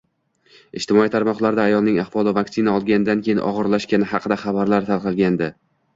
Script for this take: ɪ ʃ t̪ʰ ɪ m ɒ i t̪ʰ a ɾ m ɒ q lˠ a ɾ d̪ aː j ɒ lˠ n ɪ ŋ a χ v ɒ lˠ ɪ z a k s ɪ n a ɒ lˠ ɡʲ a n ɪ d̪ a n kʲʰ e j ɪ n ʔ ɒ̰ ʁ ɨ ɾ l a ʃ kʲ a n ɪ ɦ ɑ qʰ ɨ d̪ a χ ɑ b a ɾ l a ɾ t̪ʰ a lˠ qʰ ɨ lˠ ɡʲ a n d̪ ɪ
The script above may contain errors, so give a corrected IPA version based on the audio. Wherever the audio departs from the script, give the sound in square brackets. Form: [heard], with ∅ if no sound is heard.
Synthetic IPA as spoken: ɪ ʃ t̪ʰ ɪ m ɒ i t̪ʰ a ɾ m ɒ q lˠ a ɾ d̪ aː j ɒ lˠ n ɪ ŋ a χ v ɒ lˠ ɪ [v] a k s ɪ n a ɒ lˠ ɡʲ a n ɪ d̪ a n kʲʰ e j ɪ n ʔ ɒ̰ ʁ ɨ ɾ l a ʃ kʲ a n ɪ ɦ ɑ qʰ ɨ d̪ a χ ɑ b a ɾ l a ɾ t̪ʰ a lˠ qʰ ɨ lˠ ɡʲ a n d̪ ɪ